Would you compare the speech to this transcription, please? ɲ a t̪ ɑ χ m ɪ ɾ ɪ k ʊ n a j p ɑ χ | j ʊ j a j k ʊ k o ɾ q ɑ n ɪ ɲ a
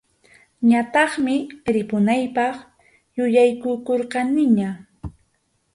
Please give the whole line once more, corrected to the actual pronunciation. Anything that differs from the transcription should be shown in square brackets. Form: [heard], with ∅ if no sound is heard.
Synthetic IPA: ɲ a t̪ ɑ χ m ɪ ɾ ɪ [p] ʊ n a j p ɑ χ | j ʊ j a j k ʊ k o ɾ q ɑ n ɪ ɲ a

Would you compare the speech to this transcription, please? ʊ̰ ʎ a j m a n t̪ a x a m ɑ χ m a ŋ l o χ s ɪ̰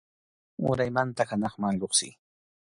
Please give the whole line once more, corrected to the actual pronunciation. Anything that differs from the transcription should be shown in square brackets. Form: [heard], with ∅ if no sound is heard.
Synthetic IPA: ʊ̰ [ɾ] a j m a n t̪ a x a [n] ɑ χ m a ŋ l o χ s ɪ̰

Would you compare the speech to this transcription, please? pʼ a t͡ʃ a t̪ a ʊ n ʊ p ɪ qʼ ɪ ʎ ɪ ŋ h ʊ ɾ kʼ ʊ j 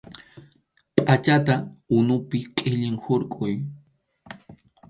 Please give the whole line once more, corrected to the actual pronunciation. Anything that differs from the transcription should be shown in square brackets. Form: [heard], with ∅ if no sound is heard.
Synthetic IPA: pʼ a t͡ʃ a t̪ a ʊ n ʊ p ɪ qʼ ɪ ʎ ɪ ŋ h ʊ ɾ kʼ ʊ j

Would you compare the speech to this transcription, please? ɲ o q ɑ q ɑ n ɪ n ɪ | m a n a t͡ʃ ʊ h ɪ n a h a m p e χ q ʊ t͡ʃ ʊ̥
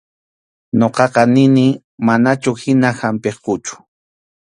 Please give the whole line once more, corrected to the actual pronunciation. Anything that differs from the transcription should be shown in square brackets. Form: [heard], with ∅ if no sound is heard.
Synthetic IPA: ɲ o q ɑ q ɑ n ɪ n ɪ | m a n a t͡ʃ ʊ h ɪ n a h a m p e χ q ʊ t͡ʃ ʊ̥

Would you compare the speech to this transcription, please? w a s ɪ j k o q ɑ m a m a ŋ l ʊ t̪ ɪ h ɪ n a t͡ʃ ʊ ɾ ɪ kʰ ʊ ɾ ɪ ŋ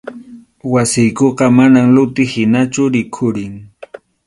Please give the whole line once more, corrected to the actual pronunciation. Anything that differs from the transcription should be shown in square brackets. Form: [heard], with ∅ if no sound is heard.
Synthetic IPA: w a s ɪ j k o q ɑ m a [n] a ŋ l ʊ t̪ ɪ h ɪ n a t͡ʃ ʊ ɾ ɪ kʰ ʊ ɾ ɪ ŋ

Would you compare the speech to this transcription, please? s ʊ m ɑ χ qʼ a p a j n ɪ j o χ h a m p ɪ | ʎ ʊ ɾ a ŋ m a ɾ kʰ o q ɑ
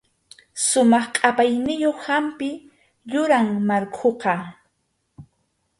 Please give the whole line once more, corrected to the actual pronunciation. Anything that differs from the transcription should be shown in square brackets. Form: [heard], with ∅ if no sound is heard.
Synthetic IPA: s ʊ m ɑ χ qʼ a p a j n ɪ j o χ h a m p ɪ | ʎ ʊ ɾ a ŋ m a ɾ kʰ o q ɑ

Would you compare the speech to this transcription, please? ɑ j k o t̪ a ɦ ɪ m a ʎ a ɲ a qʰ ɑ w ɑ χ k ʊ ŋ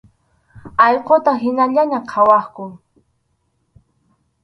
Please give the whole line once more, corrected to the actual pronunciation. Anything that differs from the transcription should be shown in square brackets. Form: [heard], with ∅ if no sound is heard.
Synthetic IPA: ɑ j [q] o t̪ a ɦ ɪ [n] a ʎ a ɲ a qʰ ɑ w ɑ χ k ʊ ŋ

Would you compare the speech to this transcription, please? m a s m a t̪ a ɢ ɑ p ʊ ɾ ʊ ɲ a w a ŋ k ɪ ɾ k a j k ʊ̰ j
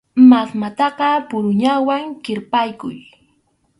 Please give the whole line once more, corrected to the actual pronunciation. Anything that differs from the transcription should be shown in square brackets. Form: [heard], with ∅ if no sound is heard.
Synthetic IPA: m a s m a t̪ [ɑ] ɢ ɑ p ʊ ɾ ʊ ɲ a w a ŋ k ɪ ɾ [p] a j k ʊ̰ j

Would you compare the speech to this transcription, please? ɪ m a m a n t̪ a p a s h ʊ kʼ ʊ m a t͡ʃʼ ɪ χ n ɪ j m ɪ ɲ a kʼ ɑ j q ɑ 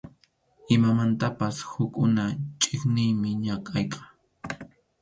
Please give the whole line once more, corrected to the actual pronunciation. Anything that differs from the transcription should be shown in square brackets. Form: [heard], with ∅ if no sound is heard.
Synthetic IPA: ɪ m a m a n t̪ a p a s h ʊ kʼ ʊ [n] a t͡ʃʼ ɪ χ n ɪ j m ɪ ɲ a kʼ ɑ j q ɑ

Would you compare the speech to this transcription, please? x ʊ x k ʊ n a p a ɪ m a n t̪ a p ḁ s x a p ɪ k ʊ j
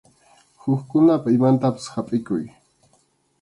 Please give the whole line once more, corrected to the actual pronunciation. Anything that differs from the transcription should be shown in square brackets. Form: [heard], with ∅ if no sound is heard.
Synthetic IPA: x ʊ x k ʊ n a p a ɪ m a n t̪ a p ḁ s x a [pʼ] ɪ k ʊ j

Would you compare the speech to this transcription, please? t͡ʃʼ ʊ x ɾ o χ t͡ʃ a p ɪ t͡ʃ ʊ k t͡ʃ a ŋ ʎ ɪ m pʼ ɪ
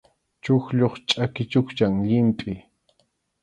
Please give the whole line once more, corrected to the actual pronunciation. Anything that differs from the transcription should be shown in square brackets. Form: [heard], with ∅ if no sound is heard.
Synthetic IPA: [t͡ʃ] ʊ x [ʎ] o χ [t͡ʃʼ] a [k] ɪ t͡ʃ ʊ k t͡ʃ a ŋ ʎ ɪ m pʼ ɪ

